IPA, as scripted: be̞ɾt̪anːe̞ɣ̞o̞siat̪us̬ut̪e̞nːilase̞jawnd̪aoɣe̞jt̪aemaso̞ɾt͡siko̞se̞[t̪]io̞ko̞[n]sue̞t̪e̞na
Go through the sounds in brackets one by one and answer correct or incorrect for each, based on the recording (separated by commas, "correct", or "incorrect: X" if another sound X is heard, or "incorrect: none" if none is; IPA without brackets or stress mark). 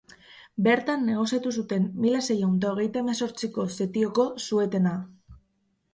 correct, incorrect: none